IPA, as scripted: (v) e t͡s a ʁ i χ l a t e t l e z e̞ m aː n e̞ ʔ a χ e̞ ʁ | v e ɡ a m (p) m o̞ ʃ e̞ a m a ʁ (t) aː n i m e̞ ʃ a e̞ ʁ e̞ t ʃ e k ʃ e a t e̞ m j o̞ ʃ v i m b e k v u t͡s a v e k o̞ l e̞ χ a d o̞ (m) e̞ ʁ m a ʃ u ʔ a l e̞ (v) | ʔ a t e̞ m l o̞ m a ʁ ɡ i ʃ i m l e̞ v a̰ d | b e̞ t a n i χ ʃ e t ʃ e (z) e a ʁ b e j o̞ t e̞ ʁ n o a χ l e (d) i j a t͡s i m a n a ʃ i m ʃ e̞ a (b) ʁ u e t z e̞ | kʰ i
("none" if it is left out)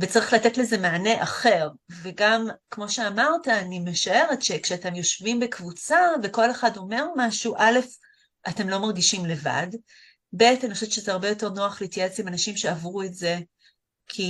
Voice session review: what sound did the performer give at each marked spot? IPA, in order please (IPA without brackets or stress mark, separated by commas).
v, k, t, m, f, z, t, v